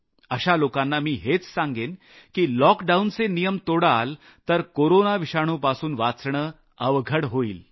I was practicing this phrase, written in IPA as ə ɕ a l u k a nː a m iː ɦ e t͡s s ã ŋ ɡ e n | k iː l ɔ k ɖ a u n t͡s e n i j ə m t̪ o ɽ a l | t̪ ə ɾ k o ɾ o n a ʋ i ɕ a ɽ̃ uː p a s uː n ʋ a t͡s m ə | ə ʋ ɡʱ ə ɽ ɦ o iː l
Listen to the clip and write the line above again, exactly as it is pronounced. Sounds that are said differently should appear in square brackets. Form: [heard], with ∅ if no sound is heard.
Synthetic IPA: ə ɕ a l [o] k a nː a m iː ɦ e t͡s s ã ŋ ɡ e n | k iː l ɔ k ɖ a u n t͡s e n i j ə m t̪ o ɽ a l | t̪ ə ɾ k o ɾ o n a ʋ i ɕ a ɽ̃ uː p a s uː n ʋ a t͡s [ɳ] ə | ə ʋ ɡʱ ə ɽ ɦ o iː l